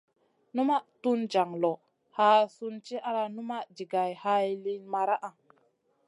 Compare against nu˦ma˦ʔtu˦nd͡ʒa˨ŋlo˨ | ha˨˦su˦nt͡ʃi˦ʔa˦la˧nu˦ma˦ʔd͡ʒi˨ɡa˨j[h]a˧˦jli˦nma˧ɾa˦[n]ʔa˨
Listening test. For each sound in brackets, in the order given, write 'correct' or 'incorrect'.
correct, incorrect: none

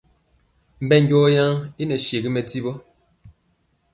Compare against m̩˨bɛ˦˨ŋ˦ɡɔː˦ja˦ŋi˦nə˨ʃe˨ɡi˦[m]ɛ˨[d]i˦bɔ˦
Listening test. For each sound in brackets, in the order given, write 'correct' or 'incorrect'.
correct, incorrect: t

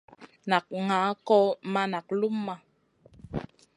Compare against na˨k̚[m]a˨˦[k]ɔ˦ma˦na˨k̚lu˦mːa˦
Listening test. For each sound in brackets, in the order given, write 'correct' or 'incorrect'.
incorrect: ŋ, correct

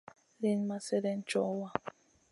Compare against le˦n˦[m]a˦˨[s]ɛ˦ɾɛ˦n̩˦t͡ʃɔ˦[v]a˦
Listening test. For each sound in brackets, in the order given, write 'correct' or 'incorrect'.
correct, correct, incorrect: w

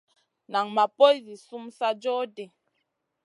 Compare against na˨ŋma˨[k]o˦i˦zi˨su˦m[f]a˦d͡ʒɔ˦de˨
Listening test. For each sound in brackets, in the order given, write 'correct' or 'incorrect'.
incorrect: p, incorrect: s

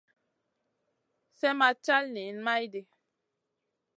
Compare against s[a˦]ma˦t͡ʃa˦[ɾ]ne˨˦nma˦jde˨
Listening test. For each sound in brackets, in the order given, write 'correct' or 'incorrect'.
incorrect: ɛ˦, incorrect: l

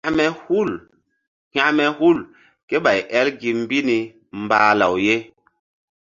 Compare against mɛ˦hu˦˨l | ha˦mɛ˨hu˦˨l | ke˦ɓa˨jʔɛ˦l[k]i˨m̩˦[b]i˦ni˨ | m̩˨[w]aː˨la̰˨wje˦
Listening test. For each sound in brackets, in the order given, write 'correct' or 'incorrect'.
incorrect: ɡ, correct, incorrect: b

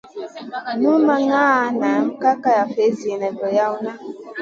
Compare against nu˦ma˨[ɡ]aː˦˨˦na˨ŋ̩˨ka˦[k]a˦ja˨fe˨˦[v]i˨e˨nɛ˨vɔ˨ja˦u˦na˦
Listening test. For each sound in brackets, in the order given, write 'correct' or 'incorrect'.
incorrect: ŋ, correct, incorrect: z

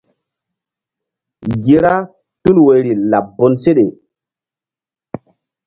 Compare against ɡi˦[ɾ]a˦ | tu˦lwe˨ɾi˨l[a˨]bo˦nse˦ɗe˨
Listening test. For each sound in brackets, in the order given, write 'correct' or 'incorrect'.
correct, correct

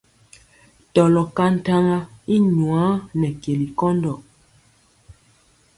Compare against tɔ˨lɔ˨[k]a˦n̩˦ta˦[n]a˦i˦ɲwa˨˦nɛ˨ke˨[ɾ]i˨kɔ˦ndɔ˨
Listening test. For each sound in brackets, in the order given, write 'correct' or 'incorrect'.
correct, incorrect: ŋ, incorrect: l

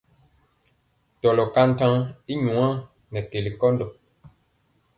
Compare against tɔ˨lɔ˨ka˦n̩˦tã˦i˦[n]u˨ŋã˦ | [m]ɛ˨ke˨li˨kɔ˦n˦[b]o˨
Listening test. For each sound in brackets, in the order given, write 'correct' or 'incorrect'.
incorrect: ɲ, incorrect: n, incorrect: d

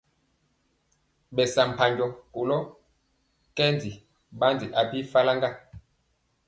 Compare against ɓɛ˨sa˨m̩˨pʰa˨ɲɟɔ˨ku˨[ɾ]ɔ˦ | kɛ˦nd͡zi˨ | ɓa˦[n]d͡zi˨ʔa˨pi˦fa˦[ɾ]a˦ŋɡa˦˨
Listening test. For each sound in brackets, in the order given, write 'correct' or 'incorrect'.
incorrect: l, correct, incorrect: l

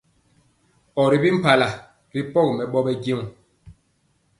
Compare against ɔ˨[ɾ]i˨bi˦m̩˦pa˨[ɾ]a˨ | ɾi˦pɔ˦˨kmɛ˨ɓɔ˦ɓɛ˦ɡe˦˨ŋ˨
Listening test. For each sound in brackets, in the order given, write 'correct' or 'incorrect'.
correct, incorrect: l

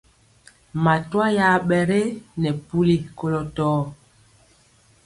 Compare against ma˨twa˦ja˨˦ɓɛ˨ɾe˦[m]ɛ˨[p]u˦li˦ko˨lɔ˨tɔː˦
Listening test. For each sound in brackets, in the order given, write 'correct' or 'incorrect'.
incorrect: n, correct

